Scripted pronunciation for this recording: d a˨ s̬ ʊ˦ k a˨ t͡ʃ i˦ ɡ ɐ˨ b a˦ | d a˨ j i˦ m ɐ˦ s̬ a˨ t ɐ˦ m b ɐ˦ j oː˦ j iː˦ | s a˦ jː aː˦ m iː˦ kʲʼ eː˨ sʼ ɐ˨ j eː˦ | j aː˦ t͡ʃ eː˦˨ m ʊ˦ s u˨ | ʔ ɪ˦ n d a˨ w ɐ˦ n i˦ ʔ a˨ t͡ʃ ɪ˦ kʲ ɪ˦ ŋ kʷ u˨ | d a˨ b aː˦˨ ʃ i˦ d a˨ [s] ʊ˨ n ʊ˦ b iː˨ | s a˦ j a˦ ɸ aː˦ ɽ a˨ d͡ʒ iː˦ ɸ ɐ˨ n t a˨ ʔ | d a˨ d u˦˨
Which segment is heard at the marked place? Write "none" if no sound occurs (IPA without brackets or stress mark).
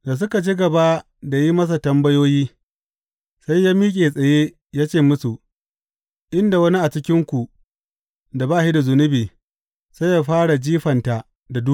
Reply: z